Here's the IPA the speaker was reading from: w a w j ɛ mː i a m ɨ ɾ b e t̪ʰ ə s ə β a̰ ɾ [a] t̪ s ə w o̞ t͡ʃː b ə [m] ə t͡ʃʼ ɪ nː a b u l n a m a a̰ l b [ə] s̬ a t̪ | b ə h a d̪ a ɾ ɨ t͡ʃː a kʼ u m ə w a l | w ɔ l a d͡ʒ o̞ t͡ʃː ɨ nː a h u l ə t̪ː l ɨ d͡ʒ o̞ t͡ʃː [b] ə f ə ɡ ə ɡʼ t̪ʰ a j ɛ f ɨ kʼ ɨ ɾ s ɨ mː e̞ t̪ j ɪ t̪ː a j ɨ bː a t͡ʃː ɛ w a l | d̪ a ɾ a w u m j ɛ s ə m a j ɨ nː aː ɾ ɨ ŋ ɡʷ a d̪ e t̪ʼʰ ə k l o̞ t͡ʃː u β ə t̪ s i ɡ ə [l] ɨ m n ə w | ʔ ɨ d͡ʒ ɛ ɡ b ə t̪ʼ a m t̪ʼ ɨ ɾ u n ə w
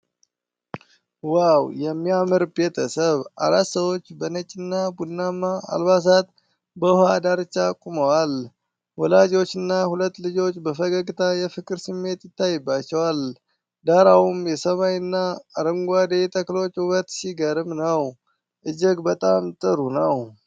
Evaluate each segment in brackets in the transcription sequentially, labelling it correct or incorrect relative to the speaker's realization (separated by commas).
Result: correct, incorrect, incorrect, correct, incorrect